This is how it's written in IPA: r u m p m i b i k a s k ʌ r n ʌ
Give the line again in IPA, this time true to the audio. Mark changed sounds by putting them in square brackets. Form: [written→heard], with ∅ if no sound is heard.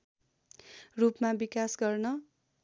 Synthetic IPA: r u [m→∅] p m [i→a] b i k a s [k→ɡ] ʌ r n ʌ